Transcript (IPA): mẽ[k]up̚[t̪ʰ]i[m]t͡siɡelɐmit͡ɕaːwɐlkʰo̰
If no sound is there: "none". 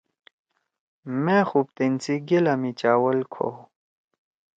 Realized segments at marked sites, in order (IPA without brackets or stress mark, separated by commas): x, t̪, n